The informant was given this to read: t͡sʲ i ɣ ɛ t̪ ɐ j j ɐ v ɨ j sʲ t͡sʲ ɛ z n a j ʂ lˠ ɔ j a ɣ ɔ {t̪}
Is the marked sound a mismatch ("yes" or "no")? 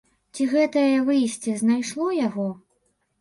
yes